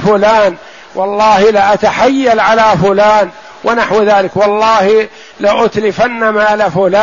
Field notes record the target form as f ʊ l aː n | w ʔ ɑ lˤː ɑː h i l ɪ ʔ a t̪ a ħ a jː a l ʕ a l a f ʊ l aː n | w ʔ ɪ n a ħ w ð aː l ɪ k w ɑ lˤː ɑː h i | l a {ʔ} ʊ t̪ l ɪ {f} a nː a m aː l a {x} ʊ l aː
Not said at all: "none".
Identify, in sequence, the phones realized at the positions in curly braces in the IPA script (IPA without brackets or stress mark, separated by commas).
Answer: ʔ, f, f